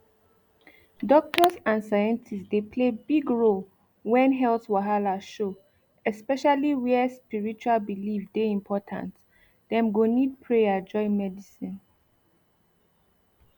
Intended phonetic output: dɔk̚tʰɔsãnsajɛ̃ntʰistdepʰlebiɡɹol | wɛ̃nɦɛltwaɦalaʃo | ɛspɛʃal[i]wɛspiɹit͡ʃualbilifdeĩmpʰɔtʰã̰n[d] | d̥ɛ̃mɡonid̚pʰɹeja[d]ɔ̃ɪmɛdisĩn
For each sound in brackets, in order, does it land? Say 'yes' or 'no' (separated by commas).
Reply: yes, no, no